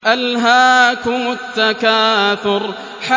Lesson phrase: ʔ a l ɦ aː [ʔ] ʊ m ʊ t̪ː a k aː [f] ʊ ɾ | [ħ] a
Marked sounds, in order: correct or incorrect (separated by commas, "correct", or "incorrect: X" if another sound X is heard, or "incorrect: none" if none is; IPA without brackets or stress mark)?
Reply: incorrect: k, incorrect: θ, correct